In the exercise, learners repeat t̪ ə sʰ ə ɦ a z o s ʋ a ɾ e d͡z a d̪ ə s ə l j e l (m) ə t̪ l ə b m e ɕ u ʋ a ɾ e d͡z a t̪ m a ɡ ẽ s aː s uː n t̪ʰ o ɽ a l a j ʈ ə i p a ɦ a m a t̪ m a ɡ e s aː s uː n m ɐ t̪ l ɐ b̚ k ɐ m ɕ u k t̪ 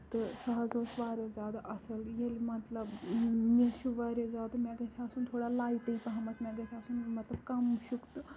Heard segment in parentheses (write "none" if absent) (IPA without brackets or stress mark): m